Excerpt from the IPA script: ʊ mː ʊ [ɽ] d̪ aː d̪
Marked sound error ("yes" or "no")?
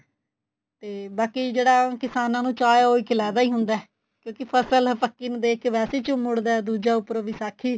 no